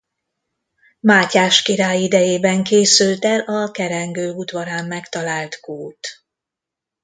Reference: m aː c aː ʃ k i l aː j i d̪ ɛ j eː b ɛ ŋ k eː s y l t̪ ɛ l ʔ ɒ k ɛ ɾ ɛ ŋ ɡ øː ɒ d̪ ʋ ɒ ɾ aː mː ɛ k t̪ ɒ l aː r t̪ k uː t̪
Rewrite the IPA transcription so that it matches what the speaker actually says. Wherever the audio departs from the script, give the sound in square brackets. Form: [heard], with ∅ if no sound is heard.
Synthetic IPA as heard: m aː c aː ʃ k i [ɾ] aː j i d̪ ɛ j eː b ɛ ŋ k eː s y l t̪ ɛ l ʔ ɒ k ɛ ɾ ɛ ŋ ɡ øː [u] d̪ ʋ ɒ ɾ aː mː ɛ k t̪ ɒ l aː [l] t̪ k uː t̪

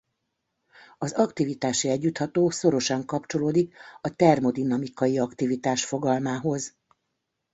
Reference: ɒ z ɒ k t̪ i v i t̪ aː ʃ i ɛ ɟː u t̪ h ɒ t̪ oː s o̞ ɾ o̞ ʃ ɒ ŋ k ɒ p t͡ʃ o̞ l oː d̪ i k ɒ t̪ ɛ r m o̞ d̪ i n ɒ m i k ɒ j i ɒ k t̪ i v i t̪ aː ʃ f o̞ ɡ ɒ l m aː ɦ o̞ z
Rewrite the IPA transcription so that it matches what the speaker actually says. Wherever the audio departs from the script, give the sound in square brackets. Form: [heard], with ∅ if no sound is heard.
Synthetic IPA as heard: ɒ z ɒ k t̪ i v i t̪ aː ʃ i ɛ ɟː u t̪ h ɒ t̪ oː s o̞ ɾ o̞ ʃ ɒ ŋ k ɒ p t͡ʃ o̞ l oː d̪ i k ɒ t̪ ɛ r m o̞ d̪ i n ɒ m i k ɒ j i ɒ k t̪ i v i t̪ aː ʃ f o̞ ɡ ɒ l m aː ɦ o̞ z

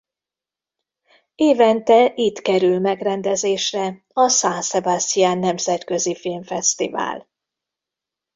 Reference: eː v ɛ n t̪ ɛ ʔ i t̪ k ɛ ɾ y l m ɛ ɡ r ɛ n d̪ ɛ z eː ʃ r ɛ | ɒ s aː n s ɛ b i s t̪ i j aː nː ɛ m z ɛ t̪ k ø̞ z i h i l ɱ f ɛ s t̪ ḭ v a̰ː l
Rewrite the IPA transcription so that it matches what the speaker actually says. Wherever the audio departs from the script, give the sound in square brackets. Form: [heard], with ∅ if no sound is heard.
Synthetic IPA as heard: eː v ɛ n t̪ ɛ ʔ i t̪ k ɛ ɾ y l m ɛ ɡ r ɛ n d̪ ɛ z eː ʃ r ɛ | ɒ s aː n s ɛ b [a] s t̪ i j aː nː ɛ m z ɛ t̪ k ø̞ z i [f] i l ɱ f ɛ s t̪ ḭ v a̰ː l

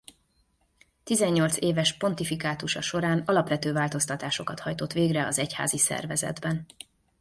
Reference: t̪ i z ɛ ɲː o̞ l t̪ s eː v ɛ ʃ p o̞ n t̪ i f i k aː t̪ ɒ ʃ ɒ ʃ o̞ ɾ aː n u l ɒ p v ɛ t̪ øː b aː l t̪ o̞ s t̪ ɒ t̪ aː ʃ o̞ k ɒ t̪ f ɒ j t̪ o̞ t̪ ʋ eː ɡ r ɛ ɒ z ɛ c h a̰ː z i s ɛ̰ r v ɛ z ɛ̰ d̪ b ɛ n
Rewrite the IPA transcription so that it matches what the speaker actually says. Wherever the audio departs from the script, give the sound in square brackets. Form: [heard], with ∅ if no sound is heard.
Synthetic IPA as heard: t̪ i z ɛ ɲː o̞ l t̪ s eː v ɛ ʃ p o̞ n t̪ i f i k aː t̪ [u] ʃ ɒ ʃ o̞ ɾ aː n [ɒ] l ɒ p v ɛ t̪ øː [v] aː l t̪ o̞ s t̪ ɒ t̪ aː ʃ o̞ k ɒ t̪ [h] ɒ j t̪ o̞ t̪ ʋ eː ɡ r ɛ ɒ z ɛ c h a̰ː z i s ɛ̰ r v ɛ z ɛ̰ d̪ b ɛ n

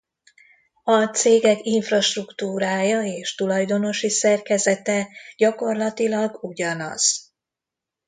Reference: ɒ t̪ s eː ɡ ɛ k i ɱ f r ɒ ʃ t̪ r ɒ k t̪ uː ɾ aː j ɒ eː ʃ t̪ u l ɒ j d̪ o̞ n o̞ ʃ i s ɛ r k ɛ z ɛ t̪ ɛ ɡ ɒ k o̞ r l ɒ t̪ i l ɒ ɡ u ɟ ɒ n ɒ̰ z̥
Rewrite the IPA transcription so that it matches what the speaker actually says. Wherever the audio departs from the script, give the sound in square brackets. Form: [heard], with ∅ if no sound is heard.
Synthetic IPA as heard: ɒ t̪ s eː ɡ ɛ k i ɱ f r ɒ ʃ t̪ r [u] k t̪ uː ɾ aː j ɒ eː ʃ t̪ u l ɒ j d̪ o̞ n o̞ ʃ i s ɛ r k ɛ z ɛ t̪ ɛ [ɟ] ɒ k o̞ r l ɒ t̪ i l ɒ ɡ u ɟ ɒ n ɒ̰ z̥

